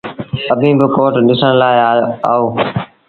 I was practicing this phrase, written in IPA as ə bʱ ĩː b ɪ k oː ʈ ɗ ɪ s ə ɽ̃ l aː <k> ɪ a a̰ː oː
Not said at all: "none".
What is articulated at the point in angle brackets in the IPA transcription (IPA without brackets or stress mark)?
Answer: none